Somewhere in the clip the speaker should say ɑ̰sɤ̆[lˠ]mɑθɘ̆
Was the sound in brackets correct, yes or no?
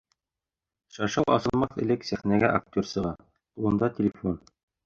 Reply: yes